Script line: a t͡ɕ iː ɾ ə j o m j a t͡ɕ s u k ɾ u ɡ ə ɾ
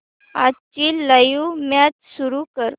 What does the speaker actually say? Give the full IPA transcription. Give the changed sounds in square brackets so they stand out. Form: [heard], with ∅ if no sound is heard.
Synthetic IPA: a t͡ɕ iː [l] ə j [u] m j a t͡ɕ s u [∅] ɾ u [k] ə ɾ

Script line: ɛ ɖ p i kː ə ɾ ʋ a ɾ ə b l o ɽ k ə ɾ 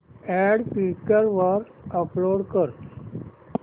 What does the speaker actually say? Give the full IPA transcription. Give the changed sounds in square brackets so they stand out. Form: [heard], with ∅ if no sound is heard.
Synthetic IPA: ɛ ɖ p i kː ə ɾ ʋ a ɾ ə [p] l o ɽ k ə ɾ

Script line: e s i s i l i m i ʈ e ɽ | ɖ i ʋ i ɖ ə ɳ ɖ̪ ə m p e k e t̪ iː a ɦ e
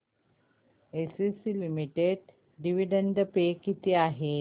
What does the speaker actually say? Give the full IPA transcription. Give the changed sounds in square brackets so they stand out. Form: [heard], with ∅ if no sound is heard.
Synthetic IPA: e s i s i l i m i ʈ e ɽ | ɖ i ʋ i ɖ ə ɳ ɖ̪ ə [∅] p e k [i] t̪ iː a ɦ e

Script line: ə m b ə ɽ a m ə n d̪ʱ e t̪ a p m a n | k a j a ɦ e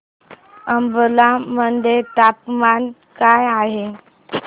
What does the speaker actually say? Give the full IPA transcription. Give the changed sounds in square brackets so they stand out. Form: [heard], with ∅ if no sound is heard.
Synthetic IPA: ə m b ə [l] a m ə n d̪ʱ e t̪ a p m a n | k a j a ɦ e

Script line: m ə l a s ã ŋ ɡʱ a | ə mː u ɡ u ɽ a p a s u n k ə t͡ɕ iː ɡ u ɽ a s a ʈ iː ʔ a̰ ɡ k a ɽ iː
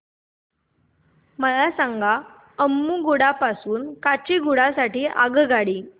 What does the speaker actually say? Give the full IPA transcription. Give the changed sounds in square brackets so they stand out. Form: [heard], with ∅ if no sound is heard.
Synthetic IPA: m ə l a s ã ŋ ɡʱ a | ə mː u ɡ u ɽ a p a s [uː] n k [a] t͡ɕ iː ɡ u ɽ a s a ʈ iː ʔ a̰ ɡ [ɡ] a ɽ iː

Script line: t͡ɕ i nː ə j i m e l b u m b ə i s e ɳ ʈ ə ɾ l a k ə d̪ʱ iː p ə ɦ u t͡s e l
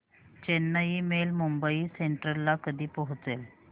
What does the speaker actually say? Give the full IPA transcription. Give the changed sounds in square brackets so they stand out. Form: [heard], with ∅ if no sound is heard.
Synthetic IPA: t͡ɕ [e] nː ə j i m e l [m] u m b ə i s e ɳ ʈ ə ɾ l a k ə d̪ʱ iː p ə ɦ u t͡s e l

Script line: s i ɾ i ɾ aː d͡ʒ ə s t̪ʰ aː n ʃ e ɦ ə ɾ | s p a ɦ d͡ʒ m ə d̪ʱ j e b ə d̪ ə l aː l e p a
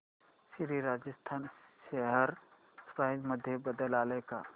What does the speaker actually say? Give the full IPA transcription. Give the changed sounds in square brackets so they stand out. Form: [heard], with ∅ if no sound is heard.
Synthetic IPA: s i ɾ i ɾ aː d͡ʒ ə s t̪ʰ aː n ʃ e ɦ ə ɾ | s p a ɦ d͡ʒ m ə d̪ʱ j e b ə d̪ ə l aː l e [k] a

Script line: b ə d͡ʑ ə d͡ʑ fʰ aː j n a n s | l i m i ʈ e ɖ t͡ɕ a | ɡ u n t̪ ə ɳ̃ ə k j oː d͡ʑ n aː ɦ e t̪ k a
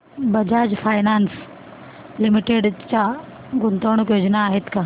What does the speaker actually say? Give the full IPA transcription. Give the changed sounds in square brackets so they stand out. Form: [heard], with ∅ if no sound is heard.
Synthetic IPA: b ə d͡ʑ [a] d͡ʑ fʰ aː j n a n s | l i m i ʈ e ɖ t͡ɕ a | ɡ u n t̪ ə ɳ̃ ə k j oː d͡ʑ n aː ɦ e t̪ k a

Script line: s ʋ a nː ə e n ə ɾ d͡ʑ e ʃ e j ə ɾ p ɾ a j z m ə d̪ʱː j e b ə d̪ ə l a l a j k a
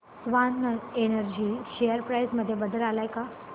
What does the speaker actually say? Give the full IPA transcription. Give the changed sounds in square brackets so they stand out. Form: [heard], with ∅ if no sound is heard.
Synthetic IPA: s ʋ a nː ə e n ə ɾ d͡ʑ [i] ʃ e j ə ɾ p ɾ a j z m ə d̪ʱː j e b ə d̪ ə l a l a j k a

